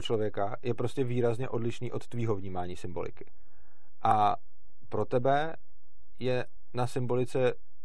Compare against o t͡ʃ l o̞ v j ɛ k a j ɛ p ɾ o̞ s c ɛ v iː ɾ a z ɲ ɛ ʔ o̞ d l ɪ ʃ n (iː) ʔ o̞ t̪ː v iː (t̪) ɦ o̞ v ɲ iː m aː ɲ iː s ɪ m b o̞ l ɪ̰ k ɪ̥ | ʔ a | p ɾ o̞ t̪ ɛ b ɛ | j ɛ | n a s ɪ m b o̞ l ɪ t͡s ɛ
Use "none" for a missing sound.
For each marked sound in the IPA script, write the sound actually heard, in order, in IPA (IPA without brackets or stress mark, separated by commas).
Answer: iː, none